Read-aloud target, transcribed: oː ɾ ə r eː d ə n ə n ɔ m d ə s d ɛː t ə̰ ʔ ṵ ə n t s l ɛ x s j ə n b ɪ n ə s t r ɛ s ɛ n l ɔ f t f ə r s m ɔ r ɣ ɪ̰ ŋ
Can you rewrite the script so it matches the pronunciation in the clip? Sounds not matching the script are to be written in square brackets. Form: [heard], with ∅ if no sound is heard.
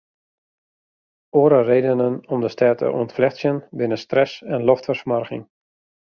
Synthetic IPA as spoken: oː ɾ ə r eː d ə n ə n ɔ m d ə s [t] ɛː t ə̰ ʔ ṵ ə n t [f] l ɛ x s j ə n b ɪ n ə s t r ɛ s ɛ n l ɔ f t f ə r s m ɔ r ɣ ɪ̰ ŋ